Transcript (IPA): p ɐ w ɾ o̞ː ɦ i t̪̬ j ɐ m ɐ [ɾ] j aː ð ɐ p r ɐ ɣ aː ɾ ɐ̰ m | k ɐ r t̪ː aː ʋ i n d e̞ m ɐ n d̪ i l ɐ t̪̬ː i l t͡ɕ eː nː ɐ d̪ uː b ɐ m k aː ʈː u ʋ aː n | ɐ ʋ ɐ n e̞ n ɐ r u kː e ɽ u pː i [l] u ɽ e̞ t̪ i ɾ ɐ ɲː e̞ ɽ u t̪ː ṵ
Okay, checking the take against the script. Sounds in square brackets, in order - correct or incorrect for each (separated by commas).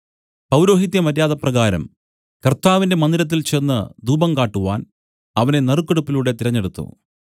correct, correct